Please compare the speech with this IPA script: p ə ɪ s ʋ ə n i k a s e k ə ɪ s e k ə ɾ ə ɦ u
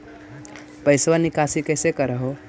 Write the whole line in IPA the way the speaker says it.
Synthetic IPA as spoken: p ə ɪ s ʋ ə n i k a s i k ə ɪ s e k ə ɾ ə ɦ o